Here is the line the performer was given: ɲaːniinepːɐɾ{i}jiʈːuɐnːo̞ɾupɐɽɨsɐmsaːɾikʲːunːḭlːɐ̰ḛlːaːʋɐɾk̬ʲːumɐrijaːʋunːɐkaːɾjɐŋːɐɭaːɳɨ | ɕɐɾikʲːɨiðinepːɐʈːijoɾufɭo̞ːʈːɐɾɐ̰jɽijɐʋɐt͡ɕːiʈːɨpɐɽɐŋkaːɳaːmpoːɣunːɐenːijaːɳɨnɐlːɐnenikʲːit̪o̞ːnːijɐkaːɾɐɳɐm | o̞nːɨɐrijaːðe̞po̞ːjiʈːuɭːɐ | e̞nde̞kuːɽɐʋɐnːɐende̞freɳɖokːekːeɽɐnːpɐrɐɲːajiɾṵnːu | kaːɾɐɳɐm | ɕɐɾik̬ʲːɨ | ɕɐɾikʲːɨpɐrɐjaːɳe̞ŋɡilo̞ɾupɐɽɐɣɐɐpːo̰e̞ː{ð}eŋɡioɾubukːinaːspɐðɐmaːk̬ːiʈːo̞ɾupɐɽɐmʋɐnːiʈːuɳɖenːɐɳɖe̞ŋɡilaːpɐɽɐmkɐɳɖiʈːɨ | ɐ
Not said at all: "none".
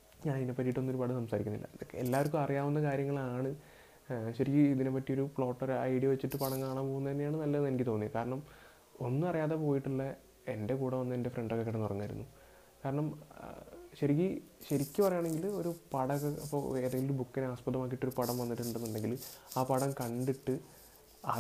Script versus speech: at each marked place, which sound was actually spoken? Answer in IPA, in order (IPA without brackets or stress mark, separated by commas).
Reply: i, ð